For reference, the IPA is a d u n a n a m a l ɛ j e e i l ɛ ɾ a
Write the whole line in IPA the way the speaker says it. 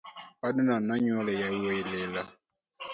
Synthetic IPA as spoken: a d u n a n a ɲ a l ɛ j a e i l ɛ l a